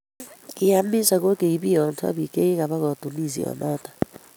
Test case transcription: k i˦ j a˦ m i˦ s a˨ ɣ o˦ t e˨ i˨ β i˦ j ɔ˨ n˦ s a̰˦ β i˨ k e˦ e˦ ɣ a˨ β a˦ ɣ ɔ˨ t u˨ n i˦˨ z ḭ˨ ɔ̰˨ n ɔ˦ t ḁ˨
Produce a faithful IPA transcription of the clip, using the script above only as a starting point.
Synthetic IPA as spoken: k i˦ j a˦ m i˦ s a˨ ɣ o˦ k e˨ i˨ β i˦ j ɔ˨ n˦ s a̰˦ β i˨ k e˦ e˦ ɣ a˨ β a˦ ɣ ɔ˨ t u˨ n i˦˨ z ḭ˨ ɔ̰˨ n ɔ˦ t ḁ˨

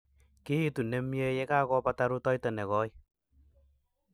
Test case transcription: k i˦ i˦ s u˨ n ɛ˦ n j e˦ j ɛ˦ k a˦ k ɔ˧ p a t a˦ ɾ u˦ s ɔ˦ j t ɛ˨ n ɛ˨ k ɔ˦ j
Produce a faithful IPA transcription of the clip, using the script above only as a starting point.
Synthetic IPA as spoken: k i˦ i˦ t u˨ n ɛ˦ m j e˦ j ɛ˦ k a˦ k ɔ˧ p a t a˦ ɾ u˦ t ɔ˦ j t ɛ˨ n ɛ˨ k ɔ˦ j

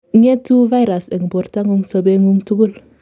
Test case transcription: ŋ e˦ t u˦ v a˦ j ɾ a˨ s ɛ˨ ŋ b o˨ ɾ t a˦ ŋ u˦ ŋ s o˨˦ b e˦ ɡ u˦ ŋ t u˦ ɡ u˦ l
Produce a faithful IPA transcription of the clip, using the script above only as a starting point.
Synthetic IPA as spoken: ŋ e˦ t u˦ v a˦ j ɾ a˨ s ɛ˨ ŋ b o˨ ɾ t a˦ ŋ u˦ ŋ s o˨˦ b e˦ ŋ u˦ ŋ t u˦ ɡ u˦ l

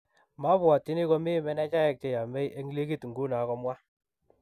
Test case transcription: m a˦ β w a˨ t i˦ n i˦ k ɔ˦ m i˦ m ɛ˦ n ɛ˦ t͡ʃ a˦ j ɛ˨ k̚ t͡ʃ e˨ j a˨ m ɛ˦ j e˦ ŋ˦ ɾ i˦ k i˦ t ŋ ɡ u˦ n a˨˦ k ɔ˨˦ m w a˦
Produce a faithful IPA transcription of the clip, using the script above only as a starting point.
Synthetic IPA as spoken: m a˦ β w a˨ t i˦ n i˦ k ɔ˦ m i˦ m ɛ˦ n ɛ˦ t͡ʃ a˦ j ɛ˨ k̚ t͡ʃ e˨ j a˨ m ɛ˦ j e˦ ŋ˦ l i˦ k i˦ t ŋ ɡ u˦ n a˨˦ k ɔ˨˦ m w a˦

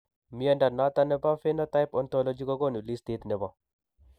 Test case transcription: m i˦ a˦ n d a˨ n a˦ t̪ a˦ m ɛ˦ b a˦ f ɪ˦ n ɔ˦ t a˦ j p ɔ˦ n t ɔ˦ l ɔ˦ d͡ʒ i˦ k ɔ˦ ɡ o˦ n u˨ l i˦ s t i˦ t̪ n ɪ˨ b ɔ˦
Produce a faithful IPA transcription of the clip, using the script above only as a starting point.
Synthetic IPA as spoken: m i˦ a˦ n d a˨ n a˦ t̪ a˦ n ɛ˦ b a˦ f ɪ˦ n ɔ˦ t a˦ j p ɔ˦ n t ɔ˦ l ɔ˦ d͡ʒ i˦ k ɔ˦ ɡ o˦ n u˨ l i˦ s t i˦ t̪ n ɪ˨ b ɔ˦

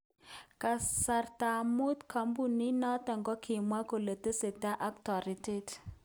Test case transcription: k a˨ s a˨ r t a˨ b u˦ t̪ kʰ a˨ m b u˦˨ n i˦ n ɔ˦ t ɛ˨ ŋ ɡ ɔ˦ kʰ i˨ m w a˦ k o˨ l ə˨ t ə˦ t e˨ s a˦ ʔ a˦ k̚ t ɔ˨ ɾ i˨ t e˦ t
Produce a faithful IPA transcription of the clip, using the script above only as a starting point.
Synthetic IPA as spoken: k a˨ s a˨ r t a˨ m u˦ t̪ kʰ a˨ m b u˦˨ n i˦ n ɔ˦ t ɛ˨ ŋ ɡ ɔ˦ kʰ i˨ m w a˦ k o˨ l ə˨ t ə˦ s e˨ t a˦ ʔ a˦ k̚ t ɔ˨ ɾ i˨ t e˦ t

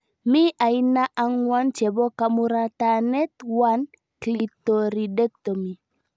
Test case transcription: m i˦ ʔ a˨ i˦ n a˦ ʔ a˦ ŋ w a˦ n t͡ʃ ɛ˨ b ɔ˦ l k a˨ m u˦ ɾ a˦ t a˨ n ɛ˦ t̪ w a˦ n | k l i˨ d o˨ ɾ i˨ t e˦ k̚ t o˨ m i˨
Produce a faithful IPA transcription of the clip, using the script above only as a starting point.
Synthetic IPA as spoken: m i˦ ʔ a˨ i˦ n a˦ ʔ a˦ ŋ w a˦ n t͡ʃ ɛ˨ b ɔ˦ k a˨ m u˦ ɾ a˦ t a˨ n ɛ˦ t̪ w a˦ n | k l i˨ t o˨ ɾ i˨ d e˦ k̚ t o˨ m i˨

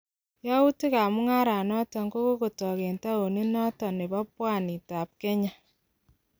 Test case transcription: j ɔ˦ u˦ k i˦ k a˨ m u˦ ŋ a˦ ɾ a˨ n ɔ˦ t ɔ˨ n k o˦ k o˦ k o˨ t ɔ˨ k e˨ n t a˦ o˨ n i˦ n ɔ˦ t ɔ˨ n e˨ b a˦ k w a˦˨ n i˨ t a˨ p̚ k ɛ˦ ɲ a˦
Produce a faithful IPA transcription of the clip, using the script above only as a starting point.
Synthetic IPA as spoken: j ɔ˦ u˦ t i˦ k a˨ m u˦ ŋ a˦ ɾ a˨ n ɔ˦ t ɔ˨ ŋ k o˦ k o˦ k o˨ t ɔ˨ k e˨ n t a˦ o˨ n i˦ n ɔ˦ t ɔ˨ n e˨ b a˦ p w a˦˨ n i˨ t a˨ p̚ k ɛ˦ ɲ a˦

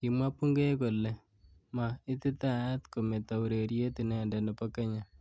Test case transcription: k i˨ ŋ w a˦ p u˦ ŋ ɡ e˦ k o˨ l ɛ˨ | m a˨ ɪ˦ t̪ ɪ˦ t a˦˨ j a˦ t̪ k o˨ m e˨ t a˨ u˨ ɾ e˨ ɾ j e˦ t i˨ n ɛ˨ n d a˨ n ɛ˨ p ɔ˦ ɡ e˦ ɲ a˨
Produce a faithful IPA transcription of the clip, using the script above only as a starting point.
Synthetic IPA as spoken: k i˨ m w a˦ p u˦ ŋ ɡ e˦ k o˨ l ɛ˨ | m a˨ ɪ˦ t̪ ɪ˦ t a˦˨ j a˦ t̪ k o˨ m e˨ t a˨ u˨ ɾ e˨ ɾ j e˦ t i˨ n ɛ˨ n d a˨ n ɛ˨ p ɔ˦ k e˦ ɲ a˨

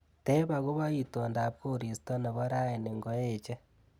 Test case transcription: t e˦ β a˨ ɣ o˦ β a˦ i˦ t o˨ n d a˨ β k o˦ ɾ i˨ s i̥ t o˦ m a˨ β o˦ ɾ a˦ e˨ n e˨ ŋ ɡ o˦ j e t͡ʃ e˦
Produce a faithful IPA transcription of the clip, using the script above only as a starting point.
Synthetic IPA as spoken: t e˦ β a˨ ɣ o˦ β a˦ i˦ t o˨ n d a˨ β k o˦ ɾ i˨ s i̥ t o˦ n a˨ β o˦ ɾ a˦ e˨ n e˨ ŋ ɡ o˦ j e t͡ʃ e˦

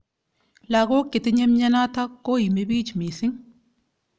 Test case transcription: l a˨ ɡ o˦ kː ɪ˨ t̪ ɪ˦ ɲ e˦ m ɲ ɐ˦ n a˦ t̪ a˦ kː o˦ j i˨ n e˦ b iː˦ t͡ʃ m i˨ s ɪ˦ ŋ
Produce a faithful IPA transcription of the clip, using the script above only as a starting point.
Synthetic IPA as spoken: l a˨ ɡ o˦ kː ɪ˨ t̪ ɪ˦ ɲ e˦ m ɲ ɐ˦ n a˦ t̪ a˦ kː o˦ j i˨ m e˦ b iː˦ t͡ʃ m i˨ s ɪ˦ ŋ

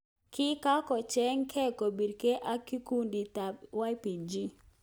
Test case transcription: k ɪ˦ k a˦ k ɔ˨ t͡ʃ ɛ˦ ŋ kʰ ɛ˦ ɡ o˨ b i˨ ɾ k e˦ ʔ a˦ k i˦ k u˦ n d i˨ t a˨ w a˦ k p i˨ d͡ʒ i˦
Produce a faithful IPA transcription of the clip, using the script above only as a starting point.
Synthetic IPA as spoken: k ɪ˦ k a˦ k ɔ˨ t͡ʃ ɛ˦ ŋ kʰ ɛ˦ k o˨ b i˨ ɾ k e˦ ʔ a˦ k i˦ k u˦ n d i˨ t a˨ w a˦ p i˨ d͡ʒ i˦

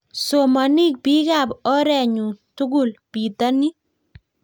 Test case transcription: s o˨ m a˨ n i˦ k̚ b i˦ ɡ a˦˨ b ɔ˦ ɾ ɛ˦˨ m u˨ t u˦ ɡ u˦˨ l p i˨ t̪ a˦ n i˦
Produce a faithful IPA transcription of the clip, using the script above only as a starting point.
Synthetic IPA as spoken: s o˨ m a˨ n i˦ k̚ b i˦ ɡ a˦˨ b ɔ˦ ɾ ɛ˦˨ ɲ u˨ t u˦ ɡ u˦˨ l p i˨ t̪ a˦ n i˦

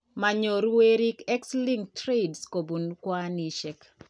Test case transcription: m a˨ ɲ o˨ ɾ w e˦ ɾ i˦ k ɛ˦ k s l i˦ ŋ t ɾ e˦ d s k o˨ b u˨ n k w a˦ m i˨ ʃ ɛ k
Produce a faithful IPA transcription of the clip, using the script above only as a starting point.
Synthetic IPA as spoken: m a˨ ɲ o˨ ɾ w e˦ ɾ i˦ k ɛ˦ k s l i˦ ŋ t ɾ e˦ d s k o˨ b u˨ n k w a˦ n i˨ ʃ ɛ k

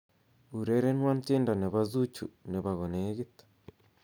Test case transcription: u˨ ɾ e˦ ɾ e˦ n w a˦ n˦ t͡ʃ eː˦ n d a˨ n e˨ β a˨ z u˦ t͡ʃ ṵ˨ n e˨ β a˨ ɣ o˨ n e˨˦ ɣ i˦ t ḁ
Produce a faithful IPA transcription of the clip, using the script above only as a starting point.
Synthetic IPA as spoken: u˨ ɾ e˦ ɾ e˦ n w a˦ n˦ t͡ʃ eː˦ n d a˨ n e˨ β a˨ z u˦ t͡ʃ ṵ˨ n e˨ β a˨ ɣ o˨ n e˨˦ ɣ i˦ t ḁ

